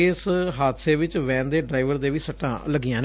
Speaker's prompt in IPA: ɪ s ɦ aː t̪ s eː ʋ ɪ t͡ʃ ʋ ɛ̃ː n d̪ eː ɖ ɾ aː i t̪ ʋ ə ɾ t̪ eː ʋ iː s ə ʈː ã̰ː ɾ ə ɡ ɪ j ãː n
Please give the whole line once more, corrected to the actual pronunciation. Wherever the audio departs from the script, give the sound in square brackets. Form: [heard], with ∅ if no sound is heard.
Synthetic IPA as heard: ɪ s ɦ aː t̪ s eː ʋ ɪ t͡ʃ ʋ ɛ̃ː n d̪ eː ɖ ɾ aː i [∅] ʋ ə ɾ [d̪] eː ʋ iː s ə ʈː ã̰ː [l] ə ɡ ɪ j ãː n